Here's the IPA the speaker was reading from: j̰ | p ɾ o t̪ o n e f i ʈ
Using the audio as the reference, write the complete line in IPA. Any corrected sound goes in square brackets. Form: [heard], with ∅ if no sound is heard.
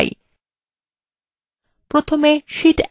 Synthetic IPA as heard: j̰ | p ɾ o [t̪ʰ] o [m] e [ʃ] i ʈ